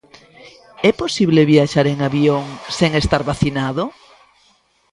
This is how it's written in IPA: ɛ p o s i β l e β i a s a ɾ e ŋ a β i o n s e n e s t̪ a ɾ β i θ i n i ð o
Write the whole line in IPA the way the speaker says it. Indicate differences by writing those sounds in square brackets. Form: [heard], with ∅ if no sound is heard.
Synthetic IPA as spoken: ɛ p o s i β l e β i a [ʃ] a ɾ e ŋ a β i o [ŋ] s e [ŋ] e s t̪ a ɾ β [a] θ i n [a] ð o